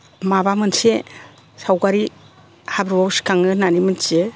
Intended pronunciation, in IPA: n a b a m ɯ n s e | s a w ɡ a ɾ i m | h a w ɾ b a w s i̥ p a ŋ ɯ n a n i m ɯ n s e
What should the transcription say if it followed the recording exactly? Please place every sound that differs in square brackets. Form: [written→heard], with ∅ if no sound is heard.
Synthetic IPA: [n→m] a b a m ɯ n s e | s a w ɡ a ɾ i [m→∅] | h a [w→b] ɾ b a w s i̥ [p→k] a ŋ ɯ n a n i m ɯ n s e